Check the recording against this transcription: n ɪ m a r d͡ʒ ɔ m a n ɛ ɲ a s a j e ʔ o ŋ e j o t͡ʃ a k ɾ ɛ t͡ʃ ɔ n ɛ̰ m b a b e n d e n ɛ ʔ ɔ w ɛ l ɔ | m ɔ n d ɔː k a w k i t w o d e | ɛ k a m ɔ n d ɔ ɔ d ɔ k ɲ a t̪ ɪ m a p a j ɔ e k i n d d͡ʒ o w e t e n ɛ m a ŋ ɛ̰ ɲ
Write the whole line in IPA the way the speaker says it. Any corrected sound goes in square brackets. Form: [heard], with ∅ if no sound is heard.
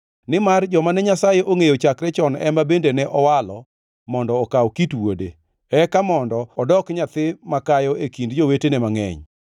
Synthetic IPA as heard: n ɪ m a r d͡ʒ ɔ m a n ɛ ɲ a s a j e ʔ o ŋ e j o t͡ʃ a k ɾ ɛ t͡ʃ ɔ n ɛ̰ m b a b e n d e n ɛ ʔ ɔ w [a] l ɔ | m ɔ n d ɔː k a w k i t w o d e | ɛ k a m ɔ n d ɔ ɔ d ɔ k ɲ a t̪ ɪ m a [k] a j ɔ e k i n d d͡ʒ o w e t e n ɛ m a ŋ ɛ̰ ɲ